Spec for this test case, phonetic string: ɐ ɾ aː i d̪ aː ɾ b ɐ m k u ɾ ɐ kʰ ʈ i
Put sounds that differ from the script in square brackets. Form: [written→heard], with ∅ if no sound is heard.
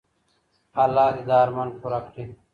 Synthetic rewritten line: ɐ [ɾ→l] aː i d̪ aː ɾ [b→m] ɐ [m→n] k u ɾ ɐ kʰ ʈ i